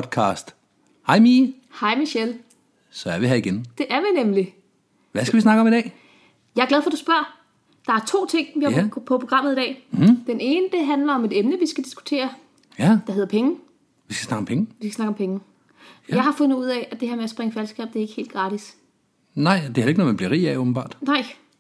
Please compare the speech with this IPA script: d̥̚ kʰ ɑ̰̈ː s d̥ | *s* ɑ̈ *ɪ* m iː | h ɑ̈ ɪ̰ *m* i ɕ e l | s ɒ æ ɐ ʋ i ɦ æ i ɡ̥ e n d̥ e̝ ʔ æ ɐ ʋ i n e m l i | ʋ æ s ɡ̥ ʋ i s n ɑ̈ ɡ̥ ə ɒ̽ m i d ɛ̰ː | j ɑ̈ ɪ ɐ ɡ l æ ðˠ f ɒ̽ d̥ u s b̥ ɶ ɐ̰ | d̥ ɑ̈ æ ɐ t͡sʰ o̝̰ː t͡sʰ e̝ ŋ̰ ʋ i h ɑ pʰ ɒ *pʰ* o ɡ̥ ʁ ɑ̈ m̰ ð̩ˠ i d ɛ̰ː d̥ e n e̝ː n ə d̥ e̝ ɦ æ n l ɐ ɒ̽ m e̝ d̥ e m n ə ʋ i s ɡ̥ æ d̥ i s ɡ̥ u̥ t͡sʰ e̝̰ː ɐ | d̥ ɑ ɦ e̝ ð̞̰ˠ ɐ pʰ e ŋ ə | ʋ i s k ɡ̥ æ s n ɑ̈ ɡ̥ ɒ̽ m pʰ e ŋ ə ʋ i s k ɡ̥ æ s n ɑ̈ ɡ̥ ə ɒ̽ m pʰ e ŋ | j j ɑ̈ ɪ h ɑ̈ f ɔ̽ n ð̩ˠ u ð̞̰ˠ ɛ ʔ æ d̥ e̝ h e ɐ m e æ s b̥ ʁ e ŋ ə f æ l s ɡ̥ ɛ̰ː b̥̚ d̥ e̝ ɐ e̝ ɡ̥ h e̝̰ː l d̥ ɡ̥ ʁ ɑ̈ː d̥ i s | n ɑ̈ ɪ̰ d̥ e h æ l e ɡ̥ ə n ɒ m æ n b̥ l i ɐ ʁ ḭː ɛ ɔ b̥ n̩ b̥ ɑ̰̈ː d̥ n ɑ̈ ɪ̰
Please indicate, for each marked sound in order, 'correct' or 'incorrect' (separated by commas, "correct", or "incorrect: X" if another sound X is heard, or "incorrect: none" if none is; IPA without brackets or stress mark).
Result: incorrect: h, correct, correct, correct